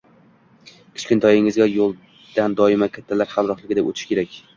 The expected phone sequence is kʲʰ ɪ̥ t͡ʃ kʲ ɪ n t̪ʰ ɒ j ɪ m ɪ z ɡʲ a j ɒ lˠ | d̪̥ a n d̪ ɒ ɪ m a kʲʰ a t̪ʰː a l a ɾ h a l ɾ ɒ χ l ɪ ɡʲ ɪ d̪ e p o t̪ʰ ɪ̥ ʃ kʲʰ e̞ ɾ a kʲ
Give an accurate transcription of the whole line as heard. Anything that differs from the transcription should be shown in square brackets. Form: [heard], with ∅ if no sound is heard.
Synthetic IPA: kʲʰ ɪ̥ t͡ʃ kʲ ɪ n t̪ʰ ɒ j ɪ [ŋ] ɪ z ɡʲ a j [o] lˠ | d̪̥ a n d̪ ɒ ɪ m a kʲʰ a t̪ʰː a l a ɾ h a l ɾ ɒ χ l ɪ ɡʲ ɪ d̪ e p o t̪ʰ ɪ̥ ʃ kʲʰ e̞ ɾ a kʲ